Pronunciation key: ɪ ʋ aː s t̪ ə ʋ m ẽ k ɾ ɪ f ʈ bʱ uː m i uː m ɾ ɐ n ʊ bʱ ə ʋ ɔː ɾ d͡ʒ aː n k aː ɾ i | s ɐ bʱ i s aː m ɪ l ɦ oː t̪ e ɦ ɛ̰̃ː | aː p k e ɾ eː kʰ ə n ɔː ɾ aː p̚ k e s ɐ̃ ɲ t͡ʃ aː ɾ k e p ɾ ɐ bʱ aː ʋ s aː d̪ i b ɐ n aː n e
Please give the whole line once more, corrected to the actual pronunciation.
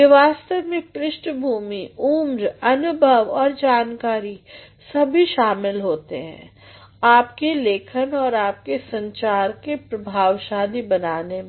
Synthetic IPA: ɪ ʋ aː s t̪ ə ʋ m ẽ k ɾ ɪ ʃ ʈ bʱ uː m i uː m ɾ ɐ n ʊ bʱ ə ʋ ɔː ɾ d͡ʒ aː n k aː ɾ i | s ɐ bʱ i ʃ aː m ɪ l ɦ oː t̪ e ɦ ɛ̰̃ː | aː p k e l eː kʰ ə n ɔː ɾ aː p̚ k e s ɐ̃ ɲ t͡ʃ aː ɾ k e p ɾ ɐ bʱ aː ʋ ʃ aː d̪ i b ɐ n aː n e

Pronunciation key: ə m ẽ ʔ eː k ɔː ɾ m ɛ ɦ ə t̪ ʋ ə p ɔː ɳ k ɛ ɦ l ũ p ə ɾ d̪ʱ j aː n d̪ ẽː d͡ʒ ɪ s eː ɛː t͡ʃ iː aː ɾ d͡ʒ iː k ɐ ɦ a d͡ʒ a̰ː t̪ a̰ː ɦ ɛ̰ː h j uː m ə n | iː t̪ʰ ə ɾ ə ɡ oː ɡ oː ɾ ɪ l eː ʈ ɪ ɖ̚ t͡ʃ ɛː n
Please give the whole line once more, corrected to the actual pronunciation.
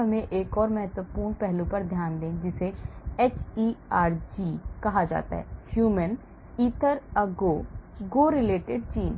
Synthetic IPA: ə m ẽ ʔ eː k ɔː ɾ m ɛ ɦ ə t̪ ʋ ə p uː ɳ p ɛ ɦ l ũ p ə ɾ d̪ʱ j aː n d̪ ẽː d͡ʒ ɪ s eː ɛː t͡ʃ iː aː ɾ d͡ʒ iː k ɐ ɦ a d͡ʒ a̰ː t̪ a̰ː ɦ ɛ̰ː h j uː m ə n | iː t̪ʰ ə ɾ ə ɡ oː ɡ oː ɾ ɪ l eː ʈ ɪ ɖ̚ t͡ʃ iː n

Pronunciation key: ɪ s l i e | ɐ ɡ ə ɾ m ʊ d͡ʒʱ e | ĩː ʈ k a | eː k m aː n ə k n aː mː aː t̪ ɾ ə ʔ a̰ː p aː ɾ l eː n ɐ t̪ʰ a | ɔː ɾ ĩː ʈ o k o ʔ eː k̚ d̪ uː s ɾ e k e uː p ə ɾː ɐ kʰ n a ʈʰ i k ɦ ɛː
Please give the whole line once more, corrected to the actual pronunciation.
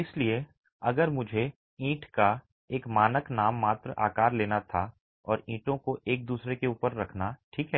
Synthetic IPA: ɪ s l i e | ɐ ɡ ə ɾ m ʊ d͡ʒʱ e | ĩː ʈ k a | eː k m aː n ə k n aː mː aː t̪ ɾ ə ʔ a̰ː k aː ɾ l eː n a t̪ʰ a | ɔː ɾ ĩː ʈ õ k o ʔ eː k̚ d̪ uː s ɾ e k e uː p ə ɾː ɐ kʰ n a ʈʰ iː k ɦ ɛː

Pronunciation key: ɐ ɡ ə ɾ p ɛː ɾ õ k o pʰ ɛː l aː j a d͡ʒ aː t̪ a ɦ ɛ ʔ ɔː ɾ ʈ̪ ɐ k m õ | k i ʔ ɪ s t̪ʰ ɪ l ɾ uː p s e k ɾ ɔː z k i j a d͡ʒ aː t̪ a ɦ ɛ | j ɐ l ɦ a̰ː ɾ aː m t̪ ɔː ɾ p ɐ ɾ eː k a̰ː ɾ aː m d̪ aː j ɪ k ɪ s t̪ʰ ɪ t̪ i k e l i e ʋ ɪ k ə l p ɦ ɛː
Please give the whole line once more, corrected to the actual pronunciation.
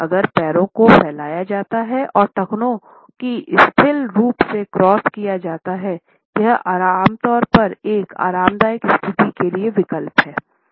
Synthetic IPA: ɐ ɡ ə ɾ p ɛː ɾ õ k o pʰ ɛː l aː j a d͡ʒ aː t̪ a ɦ ɛ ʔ ɔː ɾ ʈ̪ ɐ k n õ | k i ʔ ɪ s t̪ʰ ɪ l ɾ uː p s e k ɾ ɔː s k i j a d͡ʒ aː t̪ a ɦ ɛ | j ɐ ɦ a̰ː ɾ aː m t̪ ɔː ɾ p ɐ ɾ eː k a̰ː ɾ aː m d̪ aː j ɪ k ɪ s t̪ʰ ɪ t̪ i k e l i e ʋ ɪ k ə l p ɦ ɛː

